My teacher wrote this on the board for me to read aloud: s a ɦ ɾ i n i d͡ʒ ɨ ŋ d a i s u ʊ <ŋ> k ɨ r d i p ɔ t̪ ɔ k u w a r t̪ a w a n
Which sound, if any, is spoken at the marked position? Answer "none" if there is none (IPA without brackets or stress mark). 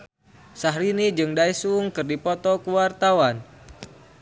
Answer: ŋ